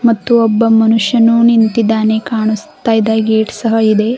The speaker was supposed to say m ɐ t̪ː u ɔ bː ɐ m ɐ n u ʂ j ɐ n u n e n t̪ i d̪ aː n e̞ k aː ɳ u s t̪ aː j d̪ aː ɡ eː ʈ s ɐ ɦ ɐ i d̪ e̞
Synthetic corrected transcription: m ɐ t̪ː u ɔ bː ɐ m ɐ n u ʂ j ɐ n u n i n t̪ i d̪ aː n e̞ k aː ɳ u s t̪ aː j d̪ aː ɡ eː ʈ s ɐ ɦ ɐ i d̪ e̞